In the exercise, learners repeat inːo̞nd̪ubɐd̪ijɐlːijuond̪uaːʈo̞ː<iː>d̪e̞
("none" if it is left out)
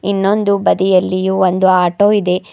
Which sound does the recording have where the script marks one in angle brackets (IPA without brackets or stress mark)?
i